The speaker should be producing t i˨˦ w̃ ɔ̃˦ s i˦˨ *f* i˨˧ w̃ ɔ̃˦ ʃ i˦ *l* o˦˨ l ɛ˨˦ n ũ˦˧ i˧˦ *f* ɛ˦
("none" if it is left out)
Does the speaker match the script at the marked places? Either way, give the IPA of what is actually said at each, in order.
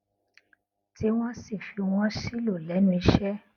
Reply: f, l, ʃ

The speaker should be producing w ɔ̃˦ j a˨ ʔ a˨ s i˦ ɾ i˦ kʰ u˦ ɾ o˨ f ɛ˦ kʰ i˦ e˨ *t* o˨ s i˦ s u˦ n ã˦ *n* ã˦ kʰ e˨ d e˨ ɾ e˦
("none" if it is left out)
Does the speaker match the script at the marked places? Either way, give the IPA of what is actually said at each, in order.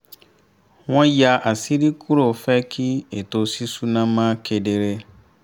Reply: t, m

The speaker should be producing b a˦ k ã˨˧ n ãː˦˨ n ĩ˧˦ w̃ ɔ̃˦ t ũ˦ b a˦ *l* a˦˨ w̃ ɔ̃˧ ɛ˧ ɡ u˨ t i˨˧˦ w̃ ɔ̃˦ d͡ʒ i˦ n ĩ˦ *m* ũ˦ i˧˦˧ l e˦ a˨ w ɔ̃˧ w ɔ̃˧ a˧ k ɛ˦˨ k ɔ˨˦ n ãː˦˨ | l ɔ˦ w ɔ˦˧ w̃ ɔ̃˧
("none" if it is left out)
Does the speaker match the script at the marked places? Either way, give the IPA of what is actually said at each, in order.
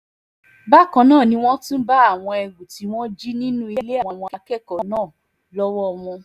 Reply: none, n

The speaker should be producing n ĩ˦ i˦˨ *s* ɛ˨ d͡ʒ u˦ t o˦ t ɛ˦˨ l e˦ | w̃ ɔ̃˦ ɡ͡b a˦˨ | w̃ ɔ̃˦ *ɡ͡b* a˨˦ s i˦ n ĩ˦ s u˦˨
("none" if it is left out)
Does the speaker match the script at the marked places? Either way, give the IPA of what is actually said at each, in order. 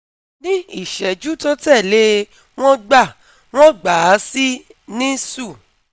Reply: ʃ, ɡ͡b

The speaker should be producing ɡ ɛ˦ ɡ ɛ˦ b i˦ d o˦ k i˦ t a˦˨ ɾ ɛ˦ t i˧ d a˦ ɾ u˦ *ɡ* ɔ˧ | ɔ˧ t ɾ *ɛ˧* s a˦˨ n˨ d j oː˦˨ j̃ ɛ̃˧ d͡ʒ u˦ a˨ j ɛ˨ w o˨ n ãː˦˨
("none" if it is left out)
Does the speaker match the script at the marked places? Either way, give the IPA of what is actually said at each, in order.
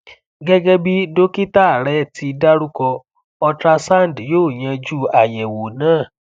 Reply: k, a˧

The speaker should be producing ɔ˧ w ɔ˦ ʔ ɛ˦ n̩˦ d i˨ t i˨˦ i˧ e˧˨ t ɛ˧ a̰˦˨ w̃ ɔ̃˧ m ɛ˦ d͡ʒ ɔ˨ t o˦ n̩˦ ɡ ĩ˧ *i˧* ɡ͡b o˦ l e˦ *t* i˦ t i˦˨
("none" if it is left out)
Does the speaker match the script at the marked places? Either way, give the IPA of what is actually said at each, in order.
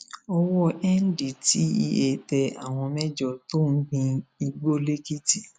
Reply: i˧, k

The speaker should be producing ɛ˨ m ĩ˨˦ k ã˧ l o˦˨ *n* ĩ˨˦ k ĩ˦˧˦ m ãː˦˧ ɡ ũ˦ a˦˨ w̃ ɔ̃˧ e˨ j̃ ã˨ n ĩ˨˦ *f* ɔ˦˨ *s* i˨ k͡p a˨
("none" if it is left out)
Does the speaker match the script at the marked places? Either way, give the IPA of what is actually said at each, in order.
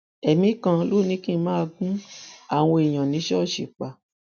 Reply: n, ʃ, ʃ

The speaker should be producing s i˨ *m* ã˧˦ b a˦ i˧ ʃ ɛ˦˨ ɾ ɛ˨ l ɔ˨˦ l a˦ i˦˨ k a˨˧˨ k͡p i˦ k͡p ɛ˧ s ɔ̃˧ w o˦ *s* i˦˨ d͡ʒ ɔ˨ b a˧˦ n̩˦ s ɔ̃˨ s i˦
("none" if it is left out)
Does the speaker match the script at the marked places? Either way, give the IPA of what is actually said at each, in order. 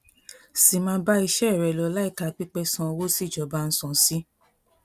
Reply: m, s

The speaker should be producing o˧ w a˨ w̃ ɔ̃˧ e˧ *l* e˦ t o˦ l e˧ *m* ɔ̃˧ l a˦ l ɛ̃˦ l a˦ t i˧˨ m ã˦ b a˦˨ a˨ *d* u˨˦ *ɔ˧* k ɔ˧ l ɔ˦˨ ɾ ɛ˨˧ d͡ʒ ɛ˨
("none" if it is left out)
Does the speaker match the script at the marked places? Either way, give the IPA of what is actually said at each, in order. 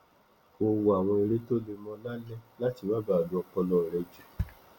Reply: ɾ, m, d, ɔ˧

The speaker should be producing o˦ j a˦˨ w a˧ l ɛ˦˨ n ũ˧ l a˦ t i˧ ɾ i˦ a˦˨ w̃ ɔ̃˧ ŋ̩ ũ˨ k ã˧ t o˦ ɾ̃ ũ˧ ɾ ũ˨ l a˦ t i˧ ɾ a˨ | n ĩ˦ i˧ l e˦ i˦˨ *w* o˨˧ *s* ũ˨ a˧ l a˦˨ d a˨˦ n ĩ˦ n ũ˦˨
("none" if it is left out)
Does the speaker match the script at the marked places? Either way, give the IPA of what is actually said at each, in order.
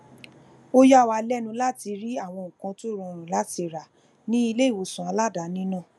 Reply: w, s

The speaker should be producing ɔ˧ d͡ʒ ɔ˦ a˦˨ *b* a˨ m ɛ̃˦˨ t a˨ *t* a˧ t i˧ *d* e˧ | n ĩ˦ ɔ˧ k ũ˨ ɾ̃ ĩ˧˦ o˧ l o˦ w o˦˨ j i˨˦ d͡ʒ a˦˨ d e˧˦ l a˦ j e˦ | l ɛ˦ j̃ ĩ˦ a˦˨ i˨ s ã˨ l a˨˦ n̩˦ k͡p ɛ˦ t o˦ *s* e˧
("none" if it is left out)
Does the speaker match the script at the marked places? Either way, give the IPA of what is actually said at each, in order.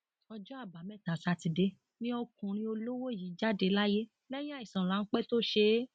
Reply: b, s, d, ʃ

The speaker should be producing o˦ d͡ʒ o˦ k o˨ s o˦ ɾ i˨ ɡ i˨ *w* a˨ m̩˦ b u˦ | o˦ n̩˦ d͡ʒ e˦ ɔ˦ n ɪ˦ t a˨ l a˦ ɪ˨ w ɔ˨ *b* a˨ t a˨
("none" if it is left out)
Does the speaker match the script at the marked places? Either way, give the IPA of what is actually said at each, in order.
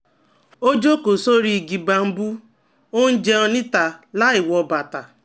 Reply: b, b

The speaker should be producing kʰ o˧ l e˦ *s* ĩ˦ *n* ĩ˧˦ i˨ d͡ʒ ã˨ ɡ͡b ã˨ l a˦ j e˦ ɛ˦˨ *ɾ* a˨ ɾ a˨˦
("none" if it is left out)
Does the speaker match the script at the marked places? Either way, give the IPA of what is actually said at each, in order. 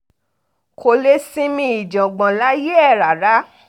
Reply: s, m, ɾ

